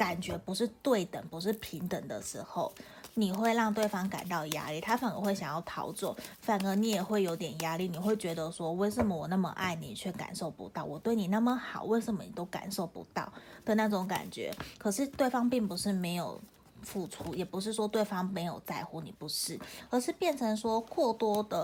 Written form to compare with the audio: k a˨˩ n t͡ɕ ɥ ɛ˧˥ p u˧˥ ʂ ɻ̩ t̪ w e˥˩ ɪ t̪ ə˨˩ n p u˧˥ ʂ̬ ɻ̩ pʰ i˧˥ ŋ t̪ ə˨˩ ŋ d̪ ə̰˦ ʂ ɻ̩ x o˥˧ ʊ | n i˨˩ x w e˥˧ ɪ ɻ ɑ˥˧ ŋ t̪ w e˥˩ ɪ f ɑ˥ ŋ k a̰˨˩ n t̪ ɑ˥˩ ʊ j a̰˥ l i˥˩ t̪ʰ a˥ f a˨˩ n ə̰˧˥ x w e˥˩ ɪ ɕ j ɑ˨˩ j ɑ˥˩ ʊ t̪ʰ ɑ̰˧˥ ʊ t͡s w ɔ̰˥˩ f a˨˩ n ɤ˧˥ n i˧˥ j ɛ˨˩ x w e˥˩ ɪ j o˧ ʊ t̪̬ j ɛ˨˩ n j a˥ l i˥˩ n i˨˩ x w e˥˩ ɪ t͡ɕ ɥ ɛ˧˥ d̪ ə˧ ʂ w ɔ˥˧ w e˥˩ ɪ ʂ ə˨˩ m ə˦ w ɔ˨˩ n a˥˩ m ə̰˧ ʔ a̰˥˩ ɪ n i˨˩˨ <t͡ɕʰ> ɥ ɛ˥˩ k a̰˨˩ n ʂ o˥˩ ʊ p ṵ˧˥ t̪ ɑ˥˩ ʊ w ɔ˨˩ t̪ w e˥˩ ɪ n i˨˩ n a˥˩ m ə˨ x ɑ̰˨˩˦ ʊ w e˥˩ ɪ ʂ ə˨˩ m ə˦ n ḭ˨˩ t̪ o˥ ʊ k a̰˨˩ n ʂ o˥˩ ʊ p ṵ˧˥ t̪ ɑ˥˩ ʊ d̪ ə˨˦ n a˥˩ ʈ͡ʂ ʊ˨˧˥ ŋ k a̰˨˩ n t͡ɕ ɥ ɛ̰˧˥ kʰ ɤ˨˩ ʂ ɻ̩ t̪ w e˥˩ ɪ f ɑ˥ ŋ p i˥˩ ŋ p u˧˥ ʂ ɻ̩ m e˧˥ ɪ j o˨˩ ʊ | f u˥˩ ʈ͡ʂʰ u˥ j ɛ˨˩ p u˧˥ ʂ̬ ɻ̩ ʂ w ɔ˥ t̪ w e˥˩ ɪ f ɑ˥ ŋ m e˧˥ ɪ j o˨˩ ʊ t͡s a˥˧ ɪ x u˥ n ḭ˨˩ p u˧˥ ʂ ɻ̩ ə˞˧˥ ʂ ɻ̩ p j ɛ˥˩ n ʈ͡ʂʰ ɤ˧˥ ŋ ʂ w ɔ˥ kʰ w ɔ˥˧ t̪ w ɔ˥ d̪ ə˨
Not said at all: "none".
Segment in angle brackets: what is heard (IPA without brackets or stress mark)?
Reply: t͡ɕʰ